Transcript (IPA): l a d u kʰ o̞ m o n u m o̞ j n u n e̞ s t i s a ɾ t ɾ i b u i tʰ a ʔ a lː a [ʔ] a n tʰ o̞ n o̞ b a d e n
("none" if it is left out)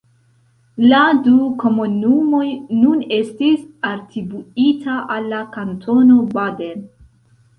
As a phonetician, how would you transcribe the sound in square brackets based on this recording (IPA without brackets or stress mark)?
k